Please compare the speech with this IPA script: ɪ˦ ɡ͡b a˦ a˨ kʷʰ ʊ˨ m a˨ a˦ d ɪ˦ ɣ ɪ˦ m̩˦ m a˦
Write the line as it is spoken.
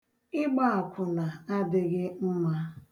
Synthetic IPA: ɪ˦ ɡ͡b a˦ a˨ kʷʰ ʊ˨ n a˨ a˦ d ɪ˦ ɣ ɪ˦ m̩˦ m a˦